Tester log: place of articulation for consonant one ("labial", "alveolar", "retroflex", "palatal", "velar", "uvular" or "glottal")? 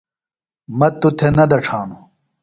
labial